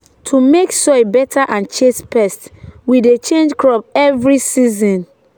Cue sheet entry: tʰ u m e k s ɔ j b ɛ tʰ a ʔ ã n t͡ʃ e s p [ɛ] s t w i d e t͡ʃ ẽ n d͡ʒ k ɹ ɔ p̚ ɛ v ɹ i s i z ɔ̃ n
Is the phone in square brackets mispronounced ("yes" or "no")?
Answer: no